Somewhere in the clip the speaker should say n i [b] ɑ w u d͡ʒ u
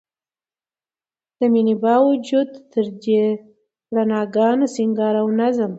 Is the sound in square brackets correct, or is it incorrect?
correct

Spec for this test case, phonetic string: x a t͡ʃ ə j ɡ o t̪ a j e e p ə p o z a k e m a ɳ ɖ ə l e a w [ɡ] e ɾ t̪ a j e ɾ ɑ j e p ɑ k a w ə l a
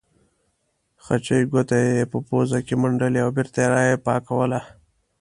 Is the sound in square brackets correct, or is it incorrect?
incorrect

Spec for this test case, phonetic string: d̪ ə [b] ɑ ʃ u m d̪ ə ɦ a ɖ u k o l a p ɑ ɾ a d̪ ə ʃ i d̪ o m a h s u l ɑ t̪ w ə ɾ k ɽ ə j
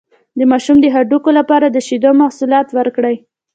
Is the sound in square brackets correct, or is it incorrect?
incorrect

